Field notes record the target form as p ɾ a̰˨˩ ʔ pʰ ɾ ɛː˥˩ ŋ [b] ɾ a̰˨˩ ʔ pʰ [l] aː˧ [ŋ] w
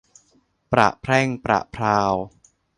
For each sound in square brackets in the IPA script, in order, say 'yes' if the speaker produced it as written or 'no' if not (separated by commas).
no, no, no